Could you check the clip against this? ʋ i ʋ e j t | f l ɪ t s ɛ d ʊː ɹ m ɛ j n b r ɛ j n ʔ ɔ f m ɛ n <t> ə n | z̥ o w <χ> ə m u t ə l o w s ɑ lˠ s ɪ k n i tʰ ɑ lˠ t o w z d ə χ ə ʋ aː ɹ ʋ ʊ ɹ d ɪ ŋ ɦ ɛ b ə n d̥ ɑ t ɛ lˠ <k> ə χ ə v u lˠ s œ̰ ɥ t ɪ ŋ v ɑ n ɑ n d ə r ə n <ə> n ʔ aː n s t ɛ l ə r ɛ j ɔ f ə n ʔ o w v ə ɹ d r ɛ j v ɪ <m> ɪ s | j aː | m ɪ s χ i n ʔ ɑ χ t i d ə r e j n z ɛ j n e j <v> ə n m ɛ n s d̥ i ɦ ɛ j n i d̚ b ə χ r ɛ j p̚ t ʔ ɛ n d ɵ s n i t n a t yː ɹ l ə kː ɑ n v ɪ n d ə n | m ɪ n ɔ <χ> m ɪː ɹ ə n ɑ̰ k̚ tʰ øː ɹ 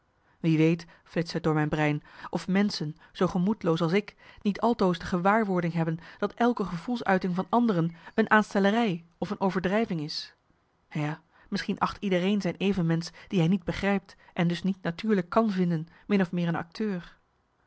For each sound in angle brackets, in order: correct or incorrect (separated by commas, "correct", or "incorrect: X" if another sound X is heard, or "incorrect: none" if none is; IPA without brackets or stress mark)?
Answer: incorrect: s, correct, correct, correct, incorrect: ŋ, correct, incorrect: f